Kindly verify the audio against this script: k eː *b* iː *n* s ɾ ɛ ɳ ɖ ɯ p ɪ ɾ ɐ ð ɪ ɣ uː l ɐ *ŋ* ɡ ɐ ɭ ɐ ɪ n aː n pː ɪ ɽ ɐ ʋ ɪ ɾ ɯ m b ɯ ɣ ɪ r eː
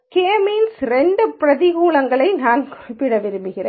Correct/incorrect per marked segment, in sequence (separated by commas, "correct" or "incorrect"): incorrect, correct, correct